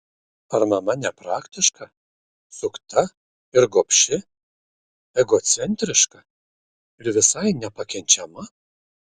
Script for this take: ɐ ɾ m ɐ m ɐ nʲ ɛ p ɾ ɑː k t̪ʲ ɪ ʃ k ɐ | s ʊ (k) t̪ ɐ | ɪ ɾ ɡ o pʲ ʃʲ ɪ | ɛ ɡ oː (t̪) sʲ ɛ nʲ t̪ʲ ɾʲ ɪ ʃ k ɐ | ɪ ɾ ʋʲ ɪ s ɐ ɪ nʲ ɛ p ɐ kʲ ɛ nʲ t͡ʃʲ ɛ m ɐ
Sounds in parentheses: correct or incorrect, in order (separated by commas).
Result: correct, correct